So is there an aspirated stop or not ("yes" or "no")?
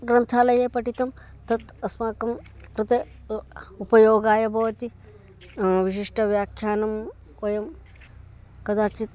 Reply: yes